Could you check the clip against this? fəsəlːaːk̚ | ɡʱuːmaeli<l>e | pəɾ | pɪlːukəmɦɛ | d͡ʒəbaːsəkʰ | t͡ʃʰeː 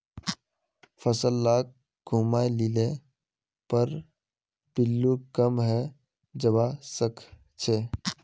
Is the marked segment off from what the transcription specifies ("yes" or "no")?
no